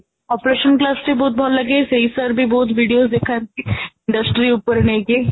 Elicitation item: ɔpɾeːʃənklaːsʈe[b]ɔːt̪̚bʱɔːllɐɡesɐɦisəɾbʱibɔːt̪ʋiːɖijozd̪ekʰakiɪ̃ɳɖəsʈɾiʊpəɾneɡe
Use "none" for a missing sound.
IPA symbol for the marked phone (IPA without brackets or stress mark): b